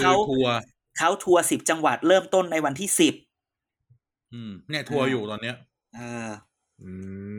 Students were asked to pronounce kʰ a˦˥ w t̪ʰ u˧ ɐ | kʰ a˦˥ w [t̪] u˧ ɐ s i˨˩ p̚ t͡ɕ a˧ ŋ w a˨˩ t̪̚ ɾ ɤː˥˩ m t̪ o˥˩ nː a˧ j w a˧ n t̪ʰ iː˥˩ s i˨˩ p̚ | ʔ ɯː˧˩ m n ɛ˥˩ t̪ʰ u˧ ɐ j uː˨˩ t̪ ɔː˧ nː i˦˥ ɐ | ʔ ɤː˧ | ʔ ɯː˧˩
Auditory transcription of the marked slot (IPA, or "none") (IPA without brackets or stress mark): t̪ʰ